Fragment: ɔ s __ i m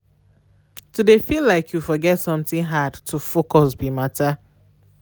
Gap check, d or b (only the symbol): b